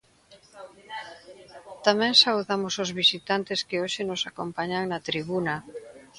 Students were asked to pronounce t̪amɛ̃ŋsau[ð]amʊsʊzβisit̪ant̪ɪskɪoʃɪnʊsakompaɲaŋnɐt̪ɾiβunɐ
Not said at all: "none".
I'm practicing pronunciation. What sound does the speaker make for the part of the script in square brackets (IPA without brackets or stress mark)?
ð